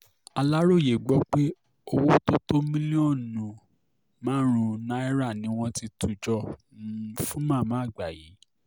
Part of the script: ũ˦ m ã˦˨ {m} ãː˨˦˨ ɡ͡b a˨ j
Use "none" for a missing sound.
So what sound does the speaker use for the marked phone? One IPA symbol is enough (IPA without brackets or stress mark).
m